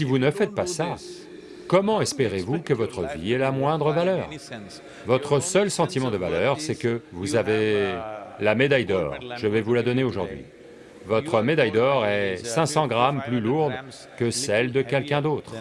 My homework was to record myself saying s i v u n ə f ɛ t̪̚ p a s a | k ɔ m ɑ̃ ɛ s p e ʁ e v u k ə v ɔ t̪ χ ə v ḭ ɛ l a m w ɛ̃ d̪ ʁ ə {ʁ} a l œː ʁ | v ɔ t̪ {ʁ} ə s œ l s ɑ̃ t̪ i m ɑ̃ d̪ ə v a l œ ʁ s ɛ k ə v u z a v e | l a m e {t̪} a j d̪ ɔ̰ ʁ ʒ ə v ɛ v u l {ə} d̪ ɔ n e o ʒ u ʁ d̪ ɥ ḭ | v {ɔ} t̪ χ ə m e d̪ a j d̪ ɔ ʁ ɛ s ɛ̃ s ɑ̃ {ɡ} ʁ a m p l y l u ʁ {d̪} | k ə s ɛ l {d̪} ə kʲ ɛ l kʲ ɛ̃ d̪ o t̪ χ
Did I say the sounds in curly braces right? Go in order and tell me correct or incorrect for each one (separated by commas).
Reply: incorrect, incorrect, incorrect, incorrect, correct, correct, correct, correct